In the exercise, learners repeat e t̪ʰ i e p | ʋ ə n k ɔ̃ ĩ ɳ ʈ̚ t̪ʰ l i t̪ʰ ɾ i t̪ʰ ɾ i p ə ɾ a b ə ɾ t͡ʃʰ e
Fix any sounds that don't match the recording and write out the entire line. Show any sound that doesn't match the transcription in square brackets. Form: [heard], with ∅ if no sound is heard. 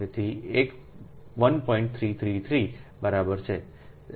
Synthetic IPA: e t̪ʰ i e [k] | ʋ ə n [p] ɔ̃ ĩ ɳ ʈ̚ t̪ʰ [ɾ] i t̪ʰ ɾ i t̪ʰ ɾ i [b] ə ɾ a b ə ɾ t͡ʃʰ e

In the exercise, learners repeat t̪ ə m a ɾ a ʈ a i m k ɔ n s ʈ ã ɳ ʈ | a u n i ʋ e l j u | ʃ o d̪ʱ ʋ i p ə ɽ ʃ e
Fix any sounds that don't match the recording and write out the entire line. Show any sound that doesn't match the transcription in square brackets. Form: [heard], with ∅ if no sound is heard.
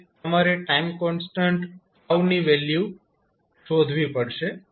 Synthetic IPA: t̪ ə m a ɾ [e] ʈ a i m k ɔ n s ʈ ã ɳ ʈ | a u n i ʋ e l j u | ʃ o d̪ʱ ʋ i p ə ɽ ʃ e

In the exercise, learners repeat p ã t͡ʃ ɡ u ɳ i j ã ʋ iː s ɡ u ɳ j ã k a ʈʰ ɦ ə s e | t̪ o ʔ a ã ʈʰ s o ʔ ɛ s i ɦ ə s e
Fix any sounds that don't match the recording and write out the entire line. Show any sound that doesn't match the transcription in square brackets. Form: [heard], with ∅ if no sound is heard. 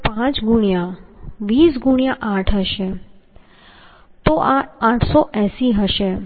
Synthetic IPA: p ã t͡ʃ ɡ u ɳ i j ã ʋ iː s ɡ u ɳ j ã [ʔ] a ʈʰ ɦ ə [ʃ] e | t̪ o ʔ a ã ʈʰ s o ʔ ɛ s i ɦ ə [ʃ] e

